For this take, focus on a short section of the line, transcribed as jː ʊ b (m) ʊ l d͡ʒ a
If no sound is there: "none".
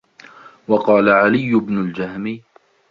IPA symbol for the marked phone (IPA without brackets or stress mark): n